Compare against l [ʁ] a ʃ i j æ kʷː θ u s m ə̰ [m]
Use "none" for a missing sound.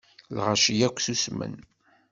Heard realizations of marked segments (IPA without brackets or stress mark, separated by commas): ʁ, n